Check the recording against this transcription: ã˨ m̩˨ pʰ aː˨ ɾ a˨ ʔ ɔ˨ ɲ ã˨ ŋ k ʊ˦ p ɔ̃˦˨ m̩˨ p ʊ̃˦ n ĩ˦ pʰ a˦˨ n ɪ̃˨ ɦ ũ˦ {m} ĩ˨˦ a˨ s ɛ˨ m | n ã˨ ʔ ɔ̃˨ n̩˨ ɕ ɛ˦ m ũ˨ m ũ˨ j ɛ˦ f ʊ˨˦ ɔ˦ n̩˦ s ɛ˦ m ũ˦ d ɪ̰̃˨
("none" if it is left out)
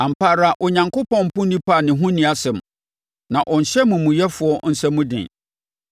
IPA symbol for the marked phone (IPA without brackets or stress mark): n